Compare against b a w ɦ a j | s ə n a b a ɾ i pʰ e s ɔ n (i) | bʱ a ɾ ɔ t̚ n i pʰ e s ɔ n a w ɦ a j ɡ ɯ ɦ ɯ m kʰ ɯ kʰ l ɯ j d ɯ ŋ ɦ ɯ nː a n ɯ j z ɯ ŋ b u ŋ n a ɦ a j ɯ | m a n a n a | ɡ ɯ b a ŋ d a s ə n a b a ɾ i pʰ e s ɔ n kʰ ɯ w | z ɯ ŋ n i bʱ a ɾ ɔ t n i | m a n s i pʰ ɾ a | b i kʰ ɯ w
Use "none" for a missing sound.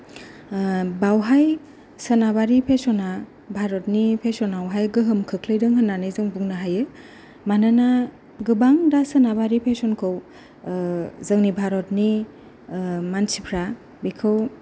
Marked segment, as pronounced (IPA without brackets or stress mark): a